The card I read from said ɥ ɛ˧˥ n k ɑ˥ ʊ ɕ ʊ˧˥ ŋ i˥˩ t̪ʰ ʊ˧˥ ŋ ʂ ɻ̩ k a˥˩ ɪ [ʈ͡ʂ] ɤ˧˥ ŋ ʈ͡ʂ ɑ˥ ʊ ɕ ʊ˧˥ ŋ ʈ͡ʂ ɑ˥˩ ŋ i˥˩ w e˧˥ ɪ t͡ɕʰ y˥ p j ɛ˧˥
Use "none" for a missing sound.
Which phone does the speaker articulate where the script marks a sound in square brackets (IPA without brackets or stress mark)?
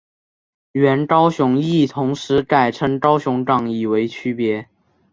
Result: ʈ͡ʂʰ